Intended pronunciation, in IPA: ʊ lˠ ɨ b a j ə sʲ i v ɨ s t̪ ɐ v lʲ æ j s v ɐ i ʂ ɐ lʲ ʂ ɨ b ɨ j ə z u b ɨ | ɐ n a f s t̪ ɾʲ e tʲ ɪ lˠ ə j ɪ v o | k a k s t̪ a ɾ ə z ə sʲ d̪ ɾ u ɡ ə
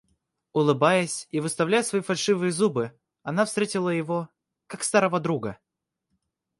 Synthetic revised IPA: ʊ lˠ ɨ b a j ə sʲ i v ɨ s t̪ ɐ v lʲ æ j s v ɐ i f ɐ lʲ ʂ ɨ v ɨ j ə z u b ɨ | ɐ n a f s t̪ ɾʲ e tʲ ɪ lˠ ə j ɪ v o | k a k s t̪ a ɾ ə v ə d̪ ɾ u ɡ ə

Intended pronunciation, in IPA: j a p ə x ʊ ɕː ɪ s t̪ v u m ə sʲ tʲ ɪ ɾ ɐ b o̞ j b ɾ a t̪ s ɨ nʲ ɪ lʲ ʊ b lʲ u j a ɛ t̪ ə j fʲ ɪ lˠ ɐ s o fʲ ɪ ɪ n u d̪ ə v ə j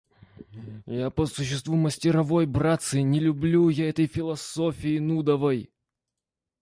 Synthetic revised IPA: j a p ə s ʊ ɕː ɪ s t̪ v u m ə sʲ tʲ ɪ ɾ ɐ v o̞ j b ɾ a t̪ s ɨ nʲ ɪ lʲ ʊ b lʲ u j a ɛ t̪ ə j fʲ ɪ lˠ ɐ s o fʲ ɪ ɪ n u d̪ ə v ə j

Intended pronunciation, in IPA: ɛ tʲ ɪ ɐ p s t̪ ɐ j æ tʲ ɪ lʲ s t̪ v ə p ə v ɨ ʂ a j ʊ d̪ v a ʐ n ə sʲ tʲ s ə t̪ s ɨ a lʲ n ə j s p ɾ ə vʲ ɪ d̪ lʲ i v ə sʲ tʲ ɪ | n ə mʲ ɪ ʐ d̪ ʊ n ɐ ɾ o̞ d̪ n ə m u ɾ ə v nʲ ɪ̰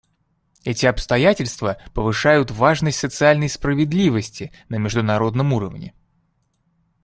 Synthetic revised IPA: ɛ tʲ ɪ ɐ p s t̪ ɐ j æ tʲ ɪ lʲ s t̪ v ə p ə v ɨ ʂ a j ʊ t̪ v a ʐ n ə sʲ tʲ s ə t̪ s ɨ a lʲ n ə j s p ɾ ə vʲ ɪ d̪ lʲ i v ə sʲ tʲ ɪ | n ə mʲ ɪ ʐ d̪ ʊ n ɐ ɾ o̞ d̪ n ə m u ɾ ə v nʲ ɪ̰

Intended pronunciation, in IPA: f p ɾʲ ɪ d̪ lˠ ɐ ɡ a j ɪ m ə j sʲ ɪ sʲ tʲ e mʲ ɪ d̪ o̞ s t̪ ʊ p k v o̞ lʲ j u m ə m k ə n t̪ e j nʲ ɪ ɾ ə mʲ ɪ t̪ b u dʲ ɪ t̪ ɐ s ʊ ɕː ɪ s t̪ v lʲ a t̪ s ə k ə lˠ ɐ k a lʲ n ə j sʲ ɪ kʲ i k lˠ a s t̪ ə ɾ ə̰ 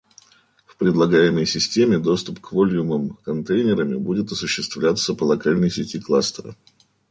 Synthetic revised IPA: f p ɾʲ ɪ d̪ lˠ ɐ ɡ a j ɪ m ə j sʲ ɪ sʲ tʲ e mʲ ɪ d̪ o̞ s t̪ ʊ p k v o̞ lʲ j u m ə m k ɐ n t̪ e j nʲ ɪ ɾ ə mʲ ɪ b u dʲ ɪ t̪ ɐ s ʊ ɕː ɪ s t̪ v lʲ a t̪ s ə p ə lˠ ɐ k a lʲ n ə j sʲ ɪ tʲ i k lˠ a s t̪ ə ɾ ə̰

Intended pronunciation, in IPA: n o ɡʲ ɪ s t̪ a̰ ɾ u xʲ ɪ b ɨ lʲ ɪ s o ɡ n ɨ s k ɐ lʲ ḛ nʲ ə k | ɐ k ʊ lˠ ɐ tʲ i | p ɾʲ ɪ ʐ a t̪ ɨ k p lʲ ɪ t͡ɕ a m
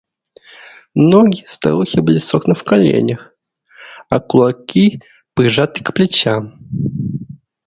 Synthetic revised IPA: n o ɡʲ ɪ s t̪ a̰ ɾ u xʲ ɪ b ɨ lʲ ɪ s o k n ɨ f k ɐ lʲ ḛ nʲ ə x | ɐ k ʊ lˠ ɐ kʲ i | p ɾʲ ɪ ʐ a t̪ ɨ k p lʲ ɪ t͡ɕ a m

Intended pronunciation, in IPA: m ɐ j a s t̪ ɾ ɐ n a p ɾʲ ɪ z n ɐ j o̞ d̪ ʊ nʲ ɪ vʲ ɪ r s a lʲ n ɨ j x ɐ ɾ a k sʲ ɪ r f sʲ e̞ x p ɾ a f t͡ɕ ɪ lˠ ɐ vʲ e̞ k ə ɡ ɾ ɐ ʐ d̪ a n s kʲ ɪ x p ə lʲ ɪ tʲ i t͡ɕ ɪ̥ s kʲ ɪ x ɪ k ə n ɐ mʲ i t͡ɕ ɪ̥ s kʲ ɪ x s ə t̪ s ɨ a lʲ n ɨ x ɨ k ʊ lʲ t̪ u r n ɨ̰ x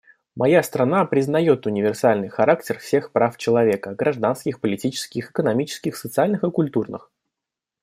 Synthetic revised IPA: m ɐ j a s t̪ ɾ ɐ n a p ɾʲ ɪ z n ɐ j o̞ t̪ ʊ nʲ ɪ vʲ ɪ r s a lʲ n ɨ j x ɐ ɾ a k tʲ ɪ r f sʲ e̞ x p ɾ a f t͡ɕ ɪ lˠ ɐ vʲ e̞ k ə ɡ ɾ ɐ ʐ d̪ a n s kʲ ɪ x p ə lʲ ɪ tʲ i t͡ɕ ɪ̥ s kʲ ɪ x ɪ k ə n ɐ mʲ i t͡ɕ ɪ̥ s kʲ ɪ x s ə t̪ s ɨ a lʲ n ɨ x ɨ k ʊ lʲ t̪ u r n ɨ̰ x

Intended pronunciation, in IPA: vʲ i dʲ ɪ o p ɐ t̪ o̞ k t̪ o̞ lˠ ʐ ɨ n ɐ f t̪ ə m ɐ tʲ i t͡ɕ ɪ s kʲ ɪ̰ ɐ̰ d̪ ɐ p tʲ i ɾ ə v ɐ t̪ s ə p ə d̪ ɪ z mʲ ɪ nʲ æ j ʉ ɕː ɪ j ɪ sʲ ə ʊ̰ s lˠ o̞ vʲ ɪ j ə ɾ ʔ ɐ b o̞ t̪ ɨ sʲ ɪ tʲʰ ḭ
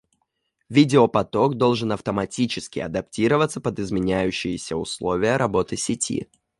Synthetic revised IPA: vʲ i dʲ ɪ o p ɐ t̪ o̞ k d̪ o̞ lˠ ʐ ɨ n ɐ f t̪ ə m ɐ tʲ i t͡ɕ ɪ s kʲ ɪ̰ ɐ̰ d̪ ɐ p tʲ i ɾ ə v ə t̪ s ə p ə d̪ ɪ z mʲ ɪ nʲ æ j ʉ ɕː ɪ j ɪ sʲ ə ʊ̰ s lˠ o̞ vʲ ɪ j ə ɾ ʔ ɐ b o̞ t̪ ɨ sʲ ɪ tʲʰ ḭ

